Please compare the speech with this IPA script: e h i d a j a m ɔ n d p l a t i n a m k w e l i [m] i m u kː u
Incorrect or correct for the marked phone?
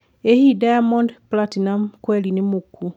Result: incorrect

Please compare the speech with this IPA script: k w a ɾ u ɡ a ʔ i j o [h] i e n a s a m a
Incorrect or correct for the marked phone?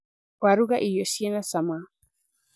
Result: incorrect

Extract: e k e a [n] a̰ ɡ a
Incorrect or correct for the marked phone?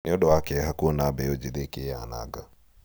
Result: correct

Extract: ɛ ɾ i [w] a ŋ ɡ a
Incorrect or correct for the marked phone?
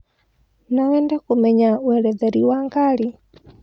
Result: correct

